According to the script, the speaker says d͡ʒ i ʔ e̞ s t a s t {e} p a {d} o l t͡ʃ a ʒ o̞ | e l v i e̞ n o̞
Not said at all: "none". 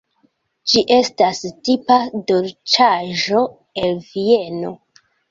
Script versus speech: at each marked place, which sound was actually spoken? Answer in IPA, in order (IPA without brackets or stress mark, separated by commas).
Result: i, d